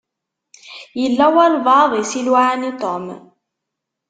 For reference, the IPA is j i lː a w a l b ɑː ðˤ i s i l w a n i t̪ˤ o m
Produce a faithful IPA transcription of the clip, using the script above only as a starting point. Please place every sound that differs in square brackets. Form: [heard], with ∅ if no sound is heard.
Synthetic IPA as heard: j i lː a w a l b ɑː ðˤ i s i l w a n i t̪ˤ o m